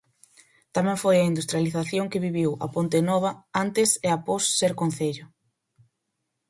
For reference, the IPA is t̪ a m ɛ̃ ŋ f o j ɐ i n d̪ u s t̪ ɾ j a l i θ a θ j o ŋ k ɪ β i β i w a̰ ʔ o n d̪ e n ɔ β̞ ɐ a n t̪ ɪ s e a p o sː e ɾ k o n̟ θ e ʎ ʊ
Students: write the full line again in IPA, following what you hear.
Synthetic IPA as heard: t̪ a m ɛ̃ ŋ f o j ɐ i n d̪ u s t̪ ɾ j a l i θ a θ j o ŋ k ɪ β i β i w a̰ p o n t̪ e n ɔ β̞ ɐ a n t̪ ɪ s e a p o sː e ɾ k o n̟ θ e ʎ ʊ

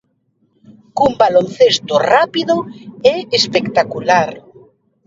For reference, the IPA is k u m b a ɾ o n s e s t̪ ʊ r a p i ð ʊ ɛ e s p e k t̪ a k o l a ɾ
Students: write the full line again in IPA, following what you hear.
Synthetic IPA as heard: k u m b a l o n θ e s t̪ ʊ r a p i ð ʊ ɛ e s p e k t̪ a k u l a ɾ

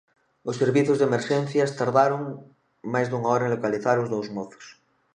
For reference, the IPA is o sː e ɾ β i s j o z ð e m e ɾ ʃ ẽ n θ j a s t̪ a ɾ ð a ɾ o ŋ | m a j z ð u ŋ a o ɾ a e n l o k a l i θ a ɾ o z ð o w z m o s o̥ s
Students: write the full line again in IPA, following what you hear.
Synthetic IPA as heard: o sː e ɾ β i θ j o z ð e m e ɾ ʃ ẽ n θ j a s t̪ a ɾ ð a ɾ o ŋ | m a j z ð u ŋ a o ɾ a e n l o k a l i θ a ɾ o z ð o w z m o θ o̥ s

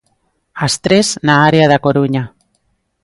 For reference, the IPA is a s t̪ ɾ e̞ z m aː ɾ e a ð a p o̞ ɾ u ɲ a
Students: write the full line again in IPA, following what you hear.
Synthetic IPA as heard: a s t̪ ɾ e̞ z n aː ɾ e a ð a k o̞ ɾ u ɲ a

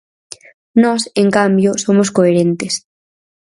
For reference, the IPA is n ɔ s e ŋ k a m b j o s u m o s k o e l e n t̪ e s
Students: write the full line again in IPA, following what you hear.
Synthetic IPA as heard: n ɔ s e ŋ k a m b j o s o m o s k o e ɾ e n t̪ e s

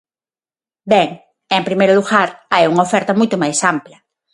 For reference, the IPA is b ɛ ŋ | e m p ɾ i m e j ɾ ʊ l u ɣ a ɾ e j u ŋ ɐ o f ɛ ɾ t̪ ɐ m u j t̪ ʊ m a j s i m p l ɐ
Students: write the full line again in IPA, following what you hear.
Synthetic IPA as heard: b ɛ ŋ | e m p ɾ i m e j ɾ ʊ l u ɣ a ɾ a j u ŋ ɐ o f ɛ ɾ t̪ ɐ m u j t̪ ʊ m a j s a m p l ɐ

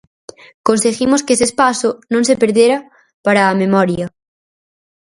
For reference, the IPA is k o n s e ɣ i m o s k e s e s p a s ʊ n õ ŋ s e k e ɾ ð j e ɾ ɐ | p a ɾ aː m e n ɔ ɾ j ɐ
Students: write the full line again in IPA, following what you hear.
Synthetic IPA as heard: k o n s e ɣ i m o s k e s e s p a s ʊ n õ ŋ s e p e ɾ ð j e ɾ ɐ | p a ɾ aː m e m ɔ ɾ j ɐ

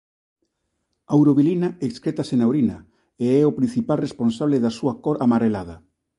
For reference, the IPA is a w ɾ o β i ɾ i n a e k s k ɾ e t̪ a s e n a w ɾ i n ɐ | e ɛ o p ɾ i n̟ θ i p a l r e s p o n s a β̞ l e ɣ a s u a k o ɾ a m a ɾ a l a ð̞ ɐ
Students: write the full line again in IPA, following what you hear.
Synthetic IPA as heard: a w ɾ o β i l i n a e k s k ɾ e t̪ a s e n a w ɾ i n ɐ | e ɛ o p ɾ i n̟ θ i p a l r e s p o n s a β̞ l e ð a s u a k o ɾ a m a ɾ e l a ð̞ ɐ

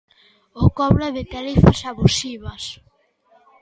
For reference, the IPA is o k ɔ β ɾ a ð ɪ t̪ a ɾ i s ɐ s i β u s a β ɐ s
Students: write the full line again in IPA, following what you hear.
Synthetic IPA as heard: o k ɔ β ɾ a ð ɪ t̪ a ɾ i f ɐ s a β u s i β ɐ s

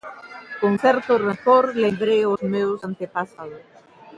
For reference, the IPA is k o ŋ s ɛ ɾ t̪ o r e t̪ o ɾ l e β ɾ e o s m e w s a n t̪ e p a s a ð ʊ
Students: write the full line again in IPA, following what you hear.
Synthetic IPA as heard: k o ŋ θ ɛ ɾ t̪ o r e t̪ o ɾ l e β ɾ e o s m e w s a n t̪ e p a s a ð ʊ

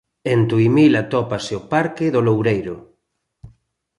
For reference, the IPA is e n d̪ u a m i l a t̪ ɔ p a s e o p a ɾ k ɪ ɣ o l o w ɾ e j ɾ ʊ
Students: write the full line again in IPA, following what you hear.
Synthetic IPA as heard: e n t̪ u i m i l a t̪ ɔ p a s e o p a ɾ k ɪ ð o l o w ɾ e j ɾ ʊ

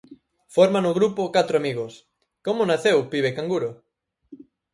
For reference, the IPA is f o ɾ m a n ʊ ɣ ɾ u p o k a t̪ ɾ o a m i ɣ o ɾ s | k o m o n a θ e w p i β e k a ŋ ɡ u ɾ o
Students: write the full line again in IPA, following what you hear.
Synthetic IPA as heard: f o ɾ m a n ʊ ɣ ɾ u p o k a t̪ ɾ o a m i ɣ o s | k o m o n a θ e w p i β e k a ŋ ɡ u ɾ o

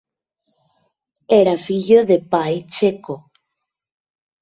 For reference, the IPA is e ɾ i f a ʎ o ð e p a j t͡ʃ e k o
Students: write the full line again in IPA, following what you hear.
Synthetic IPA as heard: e ɾ a f i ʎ o ð e p a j t͡ʃ e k o

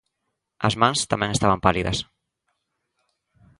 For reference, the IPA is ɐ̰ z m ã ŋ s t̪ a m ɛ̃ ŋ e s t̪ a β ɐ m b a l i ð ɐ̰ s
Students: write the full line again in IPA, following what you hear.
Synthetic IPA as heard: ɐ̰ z m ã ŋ s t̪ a m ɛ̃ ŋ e s t̪ a β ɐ m p a l i ð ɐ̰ s

